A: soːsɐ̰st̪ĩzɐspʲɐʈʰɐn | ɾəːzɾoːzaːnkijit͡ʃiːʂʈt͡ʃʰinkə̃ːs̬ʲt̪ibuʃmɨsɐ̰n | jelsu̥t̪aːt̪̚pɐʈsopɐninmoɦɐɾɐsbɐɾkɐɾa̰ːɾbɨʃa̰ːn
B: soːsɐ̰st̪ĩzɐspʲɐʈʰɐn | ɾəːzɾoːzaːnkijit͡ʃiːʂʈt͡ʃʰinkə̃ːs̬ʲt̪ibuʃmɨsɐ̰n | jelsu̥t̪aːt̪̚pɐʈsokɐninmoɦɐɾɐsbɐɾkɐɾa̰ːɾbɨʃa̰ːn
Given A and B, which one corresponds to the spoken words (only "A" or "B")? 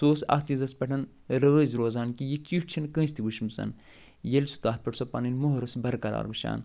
A